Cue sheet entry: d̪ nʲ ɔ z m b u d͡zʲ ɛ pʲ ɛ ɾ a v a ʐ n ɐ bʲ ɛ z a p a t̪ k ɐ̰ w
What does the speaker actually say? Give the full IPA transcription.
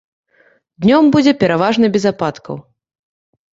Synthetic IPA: d̪ nʲ ɔ m b u d͡zʲ ɛ pʲ ɛ ɾ a v a ʐ n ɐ bʲ ɛ z a p a t̪ k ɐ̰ w